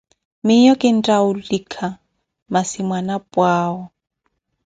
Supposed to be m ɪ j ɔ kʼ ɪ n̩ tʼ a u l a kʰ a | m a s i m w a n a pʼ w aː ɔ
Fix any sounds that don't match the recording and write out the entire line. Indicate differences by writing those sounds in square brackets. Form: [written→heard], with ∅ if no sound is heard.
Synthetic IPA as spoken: m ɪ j ɔ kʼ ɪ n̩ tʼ a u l [a→i] kʰ a | m a s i m w a n a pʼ w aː ɔ